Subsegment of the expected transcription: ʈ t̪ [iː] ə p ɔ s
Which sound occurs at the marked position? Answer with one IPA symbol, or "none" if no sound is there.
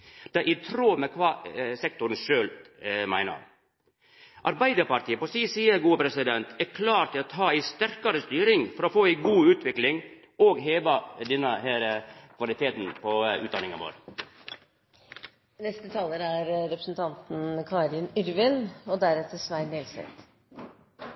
iː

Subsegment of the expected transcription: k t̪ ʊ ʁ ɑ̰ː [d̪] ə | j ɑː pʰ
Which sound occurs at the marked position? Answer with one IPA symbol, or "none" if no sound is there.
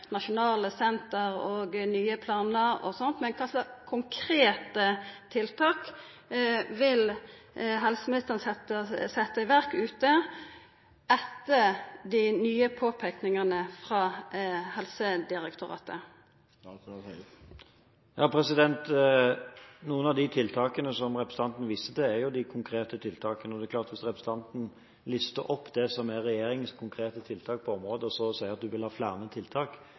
t̪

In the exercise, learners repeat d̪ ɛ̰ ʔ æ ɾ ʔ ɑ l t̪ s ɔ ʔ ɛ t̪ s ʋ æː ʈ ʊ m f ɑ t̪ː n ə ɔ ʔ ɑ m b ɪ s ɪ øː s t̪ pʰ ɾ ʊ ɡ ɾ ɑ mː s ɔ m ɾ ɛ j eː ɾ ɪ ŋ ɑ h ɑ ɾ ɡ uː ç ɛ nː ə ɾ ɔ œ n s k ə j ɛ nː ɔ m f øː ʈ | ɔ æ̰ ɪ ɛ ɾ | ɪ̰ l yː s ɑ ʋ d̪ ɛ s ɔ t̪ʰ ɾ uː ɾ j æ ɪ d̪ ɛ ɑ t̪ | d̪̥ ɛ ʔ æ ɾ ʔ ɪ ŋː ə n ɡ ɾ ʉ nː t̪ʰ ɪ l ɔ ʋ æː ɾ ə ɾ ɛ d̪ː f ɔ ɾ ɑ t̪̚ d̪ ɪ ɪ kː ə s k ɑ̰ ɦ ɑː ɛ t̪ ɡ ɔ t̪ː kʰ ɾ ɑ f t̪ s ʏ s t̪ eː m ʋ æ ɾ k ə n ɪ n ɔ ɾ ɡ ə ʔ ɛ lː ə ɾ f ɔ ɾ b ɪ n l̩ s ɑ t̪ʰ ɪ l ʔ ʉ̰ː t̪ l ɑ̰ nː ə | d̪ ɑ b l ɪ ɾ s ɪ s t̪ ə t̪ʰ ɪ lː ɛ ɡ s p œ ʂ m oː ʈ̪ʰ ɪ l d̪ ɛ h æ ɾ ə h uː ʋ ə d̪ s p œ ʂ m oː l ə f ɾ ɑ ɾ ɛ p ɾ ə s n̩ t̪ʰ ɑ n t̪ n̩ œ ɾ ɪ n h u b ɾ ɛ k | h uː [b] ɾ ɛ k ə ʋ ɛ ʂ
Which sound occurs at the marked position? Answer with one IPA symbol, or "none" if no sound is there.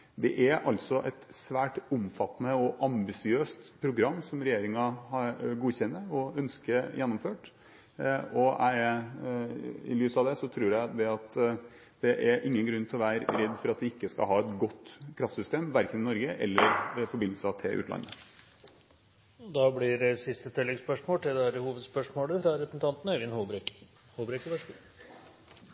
b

